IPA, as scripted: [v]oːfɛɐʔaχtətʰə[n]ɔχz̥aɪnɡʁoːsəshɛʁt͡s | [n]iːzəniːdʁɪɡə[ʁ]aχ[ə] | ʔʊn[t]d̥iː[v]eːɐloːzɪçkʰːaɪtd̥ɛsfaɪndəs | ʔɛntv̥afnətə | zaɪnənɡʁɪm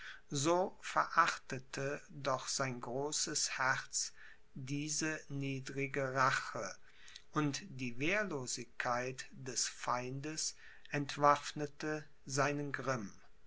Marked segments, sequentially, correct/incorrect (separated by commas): incorrect, incorrect, incorrect, correct, correct, correct, correct